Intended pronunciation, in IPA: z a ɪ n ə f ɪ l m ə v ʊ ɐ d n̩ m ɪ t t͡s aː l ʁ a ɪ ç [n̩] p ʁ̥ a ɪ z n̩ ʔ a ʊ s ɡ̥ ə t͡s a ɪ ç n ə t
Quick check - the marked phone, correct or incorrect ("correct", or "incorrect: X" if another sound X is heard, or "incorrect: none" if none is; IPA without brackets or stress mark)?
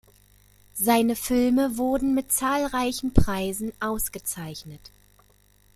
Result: correct